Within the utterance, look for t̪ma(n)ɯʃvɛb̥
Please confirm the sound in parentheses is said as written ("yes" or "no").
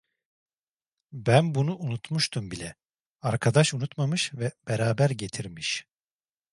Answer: no